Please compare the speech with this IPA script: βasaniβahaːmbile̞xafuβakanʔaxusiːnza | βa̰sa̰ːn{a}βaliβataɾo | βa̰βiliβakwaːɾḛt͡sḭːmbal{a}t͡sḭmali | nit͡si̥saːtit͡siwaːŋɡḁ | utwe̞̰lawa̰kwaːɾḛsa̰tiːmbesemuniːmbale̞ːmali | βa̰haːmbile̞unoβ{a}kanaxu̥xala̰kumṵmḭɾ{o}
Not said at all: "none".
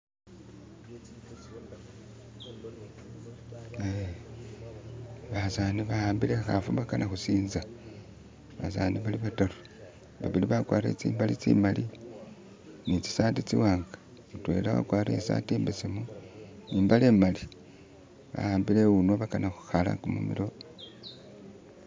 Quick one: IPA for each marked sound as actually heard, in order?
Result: i, i, a, o

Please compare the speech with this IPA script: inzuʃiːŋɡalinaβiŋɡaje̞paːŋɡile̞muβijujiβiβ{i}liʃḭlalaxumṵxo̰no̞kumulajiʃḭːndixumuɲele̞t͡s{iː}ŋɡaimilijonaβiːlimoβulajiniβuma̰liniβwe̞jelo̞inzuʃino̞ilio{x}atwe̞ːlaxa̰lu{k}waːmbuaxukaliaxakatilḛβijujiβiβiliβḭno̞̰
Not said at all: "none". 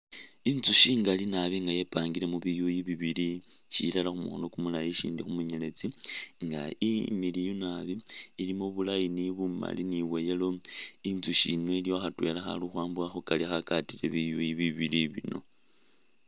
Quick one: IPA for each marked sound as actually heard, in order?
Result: i, i, x, x

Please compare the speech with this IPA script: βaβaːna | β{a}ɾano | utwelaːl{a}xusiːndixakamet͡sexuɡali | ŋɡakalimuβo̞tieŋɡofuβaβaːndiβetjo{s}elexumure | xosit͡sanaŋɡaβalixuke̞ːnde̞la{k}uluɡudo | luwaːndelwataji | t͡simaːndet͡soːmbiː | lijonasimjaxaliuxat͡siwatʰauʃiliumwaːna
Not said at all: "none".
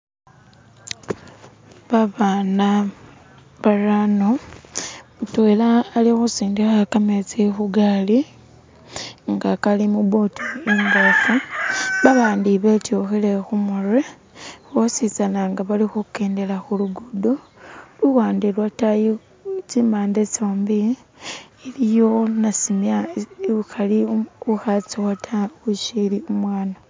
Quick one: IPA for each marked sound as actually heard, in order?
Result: a, i, x, x

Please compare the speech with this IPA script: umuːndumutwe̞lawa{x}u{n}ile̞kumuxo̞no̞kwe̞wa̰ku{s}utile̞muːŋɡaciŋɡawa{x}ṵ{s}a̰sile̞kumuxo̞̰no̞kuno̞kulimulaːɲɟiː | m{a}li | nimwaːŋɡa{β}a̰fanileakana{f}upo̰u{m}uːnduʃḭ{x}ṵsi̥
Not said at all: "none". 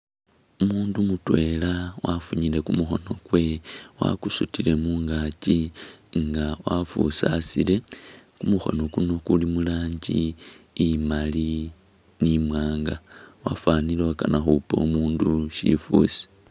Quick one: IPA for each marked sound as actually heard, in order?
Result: f, ɲ, s, f, s, a, w, x, m, f

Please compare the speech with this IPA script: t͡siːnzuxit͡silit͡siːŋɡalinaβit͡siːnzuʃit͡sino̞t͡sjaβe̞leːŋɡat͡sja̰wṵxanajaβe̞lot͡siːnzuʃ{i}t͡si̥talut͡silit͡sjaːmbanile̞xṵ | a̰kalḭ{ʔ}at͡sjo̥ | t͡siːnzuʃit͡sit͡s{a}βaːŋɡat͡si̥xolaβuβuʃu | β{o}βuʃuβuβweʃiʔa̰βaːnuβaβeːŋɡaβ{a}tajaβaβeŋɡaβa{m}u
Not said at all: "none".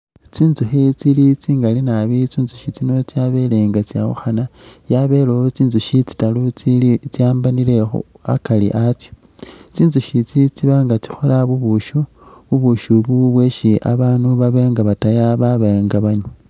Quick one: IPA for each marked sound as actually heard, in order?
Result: i, ʔ, i, u, a, ɲ

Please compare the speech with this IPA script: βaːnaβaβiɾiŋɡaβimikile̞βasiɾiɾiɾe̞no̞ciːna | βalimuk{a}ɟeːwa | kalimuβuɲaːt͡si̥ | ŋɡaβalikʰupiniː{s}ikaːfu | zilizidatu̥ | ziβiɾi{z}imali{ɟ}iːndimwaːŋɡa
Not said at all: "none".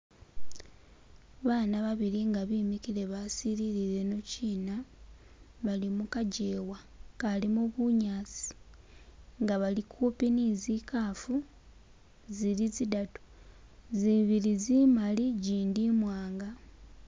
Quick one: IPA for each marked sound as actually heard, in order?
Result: a, z, z, ɟ

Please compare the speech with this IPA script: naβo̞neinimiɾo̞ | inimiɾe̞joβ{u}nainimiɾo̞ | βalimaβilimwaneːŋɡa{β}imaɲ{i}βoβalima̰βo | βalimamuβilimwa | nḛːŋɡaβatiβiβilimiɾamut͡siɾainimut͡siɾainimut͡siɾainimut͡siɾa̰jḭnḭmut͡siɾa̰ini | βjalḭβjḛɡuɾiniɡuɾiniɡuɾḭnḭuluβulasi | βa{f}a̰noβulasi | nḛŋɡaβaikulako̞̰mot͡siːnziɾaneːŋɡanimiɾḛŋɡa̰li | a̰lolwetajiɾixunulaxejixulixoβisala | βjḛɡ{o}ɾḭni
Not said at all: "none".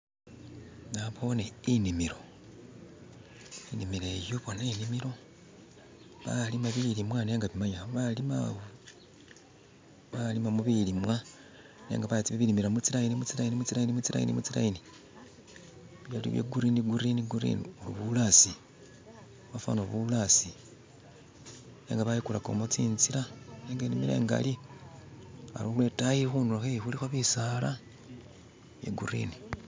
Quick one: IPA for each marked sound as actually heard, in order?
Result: o, β, a, f, u

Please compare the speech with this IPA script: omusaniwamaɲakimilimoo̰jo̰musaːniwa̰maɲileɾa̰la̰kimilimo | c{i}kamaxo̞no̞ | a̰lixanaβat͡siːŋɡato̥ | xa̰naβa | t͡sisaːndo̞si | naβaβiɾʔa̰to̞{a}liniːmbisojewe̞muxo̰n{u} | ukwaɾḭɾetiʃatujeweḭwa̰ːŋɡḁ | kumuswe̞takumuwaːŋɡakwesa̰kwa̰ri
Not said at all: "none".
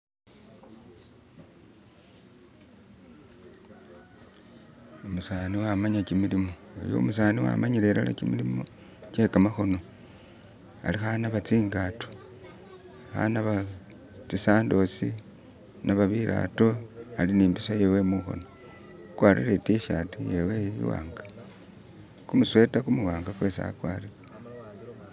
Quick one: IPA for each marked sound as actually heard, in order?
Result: e, a, o

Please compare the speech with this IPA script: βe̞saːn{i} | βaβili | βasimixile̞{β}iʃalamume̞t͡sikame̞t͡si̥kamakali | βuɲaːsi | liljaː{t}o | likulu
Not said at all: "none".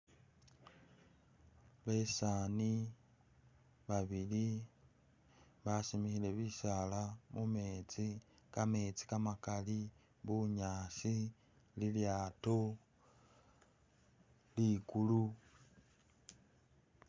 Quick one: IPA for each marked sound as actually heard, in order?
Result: i, β, t

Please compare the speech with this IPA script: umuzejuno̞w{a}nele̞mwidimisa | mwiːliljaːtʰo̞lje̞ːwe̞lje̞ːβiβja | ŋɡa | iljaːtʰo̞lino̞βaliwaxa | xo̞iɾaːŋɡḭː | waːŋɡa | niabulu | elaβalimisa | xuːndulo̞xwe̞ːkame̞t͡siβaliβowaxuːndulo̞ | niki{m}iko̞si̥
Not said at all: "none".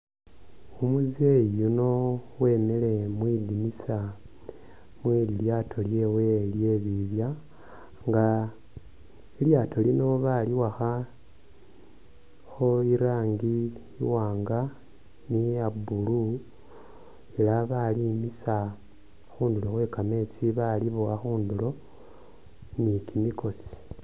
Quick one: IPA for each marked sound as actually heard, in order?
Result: e, m

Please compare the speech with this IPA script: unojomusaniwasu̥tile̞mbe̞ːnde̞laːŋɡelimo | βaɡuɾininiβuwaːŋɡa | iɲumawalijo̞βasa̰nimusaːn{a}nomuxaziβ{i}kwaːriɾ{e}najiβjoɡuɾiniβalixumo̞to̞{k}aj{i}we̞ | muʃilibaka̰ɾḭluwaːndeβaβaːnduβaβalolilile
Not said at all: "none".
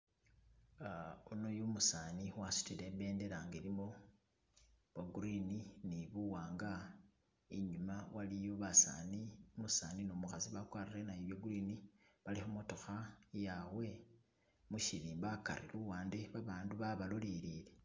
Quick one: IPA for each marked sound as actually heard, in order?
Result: i, a, e, x, a

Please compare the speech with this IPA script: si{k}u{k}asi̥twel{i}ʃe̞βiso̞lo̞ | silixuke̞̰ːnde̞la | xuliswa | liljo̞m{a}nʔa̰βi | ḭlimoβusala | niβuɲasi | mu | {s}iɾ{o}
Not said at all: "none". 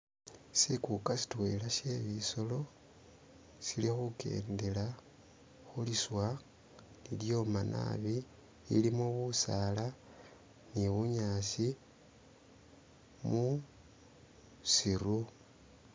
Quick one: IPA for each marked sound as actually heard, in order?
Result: k, k, a, a, s, u

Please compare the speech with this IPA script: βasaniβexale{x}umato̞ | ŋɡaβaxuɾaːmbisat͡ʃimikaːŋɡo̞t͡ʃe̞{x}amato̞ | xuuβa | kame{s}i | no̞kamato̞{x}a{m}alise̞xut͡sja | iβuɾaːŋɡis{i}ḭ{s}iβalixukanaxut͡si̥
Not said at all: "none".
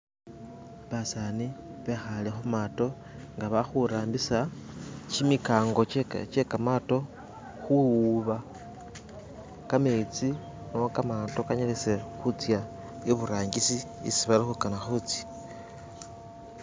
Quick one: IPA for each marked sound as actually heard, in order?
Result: x, k, t͡s, k, ɲ, i, s

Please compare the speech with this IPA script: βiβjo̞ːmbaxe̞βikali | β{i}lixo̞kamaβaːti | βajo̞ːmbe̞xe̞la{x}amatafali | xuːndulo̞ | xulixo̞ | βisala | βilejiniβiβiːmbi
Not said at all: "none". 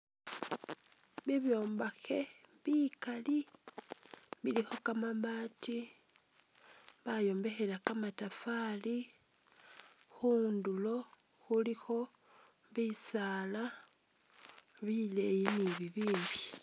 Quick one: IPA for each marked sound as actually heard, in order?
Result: i, k

